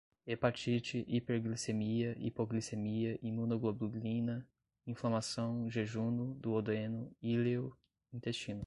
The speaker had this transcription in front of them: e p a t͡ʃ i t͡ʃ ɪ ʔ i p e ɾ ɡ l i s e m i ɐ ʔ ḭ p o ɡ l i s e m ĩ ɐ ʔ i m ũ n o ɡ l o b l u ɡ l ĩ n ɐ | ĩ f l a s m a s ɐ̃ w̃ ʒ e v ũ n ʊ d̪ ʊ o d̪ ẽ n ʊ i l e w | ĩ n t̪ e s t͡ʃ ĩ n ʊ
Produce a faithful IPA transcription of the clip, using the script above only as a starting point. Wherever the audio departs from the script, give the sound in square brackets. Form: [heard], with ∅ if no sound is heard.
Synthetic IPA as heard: e p a t͡ʃ i t͡ʃ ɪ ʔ i p e ɾ ɡ l i s e m i ɐ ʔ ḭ p o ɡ l i s e m [i] ɐ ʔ i m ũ n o ɡ l o b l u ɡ l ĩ n ɐ | ĩ f l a [∅] m a s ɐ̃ w̃ ʒ e [ʒ] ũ n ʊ d̪ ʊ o d̪ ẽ n ʊ i l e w | ĩ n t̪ e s t͡ʃ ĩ n ʊ